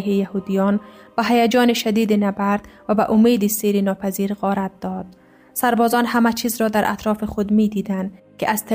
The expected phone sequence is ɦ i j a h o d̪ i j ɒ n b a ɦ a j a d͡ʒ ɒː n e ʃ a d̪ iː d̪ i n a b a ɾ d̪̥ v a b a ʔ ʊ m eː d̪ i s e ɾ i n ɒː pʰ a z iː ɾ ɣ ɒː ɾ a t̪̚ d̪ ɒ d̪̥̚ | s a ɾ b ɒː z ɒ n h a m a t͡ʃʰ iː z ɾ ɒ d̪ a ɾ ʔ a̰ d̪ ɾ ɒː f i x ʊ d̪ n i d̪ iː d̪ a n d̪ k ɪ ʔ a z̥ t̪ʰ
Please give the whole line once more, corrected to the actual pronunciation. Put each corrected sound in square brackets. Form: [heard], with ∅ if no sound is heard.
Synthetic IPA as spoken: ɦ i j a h [u] d̪ i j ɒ n b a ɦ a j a d͡ʒ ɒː n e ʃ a d̪ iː d̪ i n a b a ɾ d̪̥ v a b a ʔ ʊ m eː d̪ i s e ɾ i n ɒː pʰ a z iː ɾ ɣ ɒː ɾ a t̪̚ d̪ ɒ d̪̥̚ | s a ɾ b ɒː z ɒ n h a m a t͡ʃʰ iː z ɾ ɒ d̪ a ɾ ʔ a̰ [t̪] ɾ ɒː f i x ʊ d̪ [m] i d̪ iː d̪ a n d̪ k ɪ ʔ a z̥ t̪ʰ